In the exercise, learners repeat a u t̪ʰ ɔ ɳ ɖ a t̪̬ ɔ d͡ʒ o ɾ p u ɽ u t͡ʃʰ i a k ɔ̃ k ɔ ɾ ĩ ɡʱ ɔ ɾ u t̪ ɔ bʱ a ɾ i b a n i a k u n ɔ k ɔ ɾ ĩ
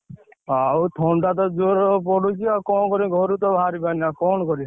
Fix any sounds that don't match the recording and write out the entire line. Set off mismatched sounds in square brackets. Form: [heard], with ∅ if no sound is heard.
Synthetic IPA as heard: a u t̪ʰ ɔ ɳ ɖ a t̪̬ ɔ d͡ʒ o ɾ p [ɔ] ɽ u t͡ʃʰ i a k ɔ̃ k ɔ ɾ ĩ ɡʱ ɔ ɾ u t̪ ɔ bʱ a ɾ i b a n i a k [ɔ] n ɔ k ɔ ɾ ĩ